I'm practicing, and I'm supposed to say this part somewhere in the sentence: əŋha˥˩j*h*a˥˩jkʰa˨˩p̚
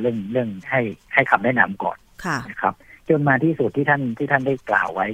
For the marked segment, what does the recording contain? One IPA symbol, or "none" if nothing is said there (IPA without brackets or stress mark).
h